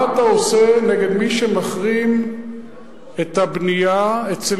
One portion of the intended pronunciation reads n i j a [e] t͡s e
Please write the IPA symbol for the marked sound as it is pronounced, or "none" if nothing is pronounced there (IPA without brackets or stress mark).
e